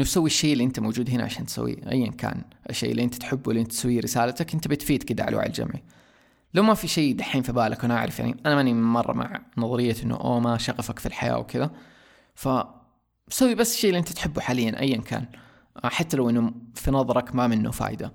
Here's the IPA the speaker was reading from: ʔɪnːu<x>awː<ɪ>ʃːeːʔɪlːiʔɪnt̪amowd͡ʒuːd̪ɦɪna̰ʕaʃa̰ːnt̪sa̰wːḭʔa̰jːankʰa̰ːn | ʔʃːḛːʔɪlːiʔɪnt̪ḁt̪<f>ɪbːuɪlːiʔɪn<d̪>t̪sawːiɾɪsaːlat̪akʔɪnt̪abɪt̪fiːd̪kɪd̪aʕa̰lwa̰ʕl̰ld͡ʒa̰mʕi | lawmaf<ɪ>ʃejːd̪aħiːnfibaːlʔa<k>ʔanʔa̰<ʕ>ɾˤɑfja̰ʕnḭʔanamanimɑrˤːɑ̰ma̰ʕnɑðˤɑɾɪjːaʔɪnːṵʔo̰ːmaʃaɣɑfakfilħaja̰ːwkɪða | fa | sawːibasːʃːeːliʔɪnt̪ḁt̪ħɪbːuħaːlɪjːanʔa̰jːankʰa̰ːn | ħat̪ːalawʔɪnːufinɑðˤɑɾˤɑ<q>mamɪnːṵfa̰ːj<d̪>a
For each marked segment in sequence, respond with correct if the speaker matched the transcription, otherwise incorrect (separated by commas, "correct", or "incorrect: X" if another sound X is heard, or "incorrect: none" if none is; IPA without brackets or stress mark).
incorrect: s, incorrect: i, incorrect: ħ, incorrect: t̪, incorrect: i, correct, correct, incorrect: k, correct